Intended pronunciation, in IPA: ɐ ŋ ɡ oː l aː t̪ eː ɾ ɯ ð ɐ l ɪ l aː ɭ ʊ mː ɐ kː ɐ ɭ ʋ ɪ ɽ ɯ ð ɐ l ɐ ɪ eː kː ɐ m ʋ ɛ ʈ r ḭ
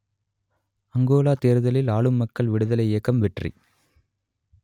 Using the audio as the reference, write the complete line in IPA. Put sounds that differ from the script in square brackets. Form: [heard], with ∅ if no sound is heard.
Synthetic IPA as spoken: ɐ ŋ ɡ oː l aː t̪ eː ɾ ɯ ð ɐ l ɪ l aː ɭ [ɯ] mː ɐ kː ɐ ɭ ʋ ɪ ɽ ɯ ð ɐ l ɐ ɪ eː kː ɐ m ʋ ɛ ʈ r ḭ

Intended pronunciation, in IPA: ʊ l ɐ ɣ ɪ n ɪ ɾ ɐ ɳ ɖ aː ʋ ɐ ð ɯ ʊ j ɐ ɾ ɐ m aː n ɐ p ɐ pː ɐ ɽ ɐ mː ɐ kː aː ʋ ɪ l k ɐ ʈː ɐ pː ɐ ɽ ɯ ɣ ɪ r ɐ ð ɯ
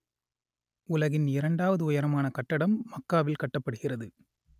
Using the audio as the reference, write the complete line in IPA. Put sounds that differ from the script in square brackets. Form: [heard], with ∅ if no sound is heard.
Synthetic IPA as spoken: ʊ l ɐ ɣ ɪ n ɪ ɾ ɐ ɳ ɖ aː ʋ ɐ ð ɯ ʊ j ɐ ɾ ɐ m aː n ɐ [k] ɐ [ʈː] ɐ ɽ ɐ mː ɐ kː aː ʋ ɪ l k ɐ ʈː ɐ pː ɐ ɽ ɯ ɣ ɪ r ɐ ð ɯ

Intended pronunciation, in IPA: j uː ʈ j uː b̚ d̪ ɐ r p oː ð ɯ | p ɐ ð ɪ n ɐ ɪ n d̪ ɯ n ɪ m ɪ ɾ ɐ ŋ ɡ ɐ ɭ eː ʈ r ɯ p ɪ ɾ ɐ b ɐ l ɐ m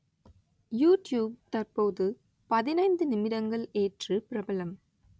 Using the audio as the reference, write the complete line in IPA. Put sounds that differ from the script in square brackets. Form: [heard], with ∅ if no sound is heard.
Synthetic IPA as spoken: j uː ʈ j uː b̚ [t̪] ɐ r p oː ð ɯ | p ɐ ð ɪ n ɐ ɪ n d̪ ɯ n ɪ m ɪ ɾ ɐ ŋ ɡ ɐ ɭ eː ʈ r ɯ p ɪ ɾ ɐ b ɐ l ɐ m

